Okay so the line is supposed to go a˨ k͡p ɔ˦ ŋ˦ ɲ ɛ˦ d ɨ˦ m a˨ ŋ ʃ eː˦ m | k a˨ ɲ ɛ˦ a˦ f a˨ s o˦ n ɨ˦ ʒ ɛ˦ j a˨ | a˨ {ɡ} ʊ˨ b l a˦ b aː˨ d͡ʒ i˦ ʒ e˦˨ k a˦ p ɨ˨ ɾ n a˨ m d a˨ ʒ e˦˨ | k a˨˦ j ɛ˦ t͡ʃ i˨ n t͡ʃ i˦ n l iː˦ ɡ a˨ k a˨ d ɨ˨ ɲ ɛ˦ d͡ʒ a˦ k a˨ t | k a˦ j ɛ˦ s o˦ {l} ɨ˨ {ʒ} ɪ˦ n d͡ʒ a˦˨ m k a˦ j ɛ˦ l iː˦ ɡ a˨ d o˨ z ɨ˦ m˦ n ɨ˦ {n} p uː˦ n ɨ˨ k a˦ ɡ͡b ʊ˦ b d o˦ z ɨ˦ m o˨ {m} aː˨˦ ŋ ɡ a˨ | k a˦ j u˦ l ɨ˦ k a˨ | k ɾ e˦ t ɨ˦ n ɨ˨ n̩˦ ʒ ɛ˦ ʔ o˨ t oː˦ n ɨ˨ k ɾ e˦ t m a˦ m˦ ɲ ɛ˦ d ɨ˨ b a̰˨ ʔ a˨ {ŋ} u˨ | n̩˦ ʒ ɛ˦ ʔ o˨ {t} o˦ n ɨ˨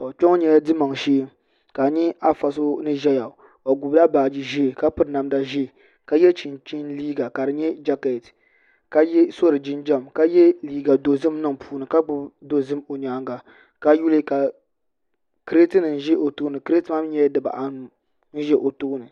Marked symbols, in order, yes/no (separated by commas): yes, no, no, no, no, no, yes